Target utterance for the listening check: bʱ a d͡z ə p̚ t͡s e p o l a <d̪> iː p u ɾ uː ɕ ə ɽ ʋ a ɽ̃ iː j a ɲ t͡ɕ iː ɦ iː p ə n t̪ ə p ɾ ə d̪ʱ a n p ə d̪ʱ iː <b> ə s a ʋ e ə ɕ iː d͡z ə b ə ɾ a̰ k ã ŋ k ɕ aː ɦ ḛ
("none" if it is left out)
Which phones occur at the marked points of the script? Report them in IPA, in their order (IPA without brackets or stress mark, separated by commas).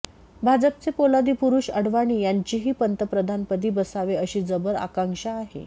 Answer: d̪, b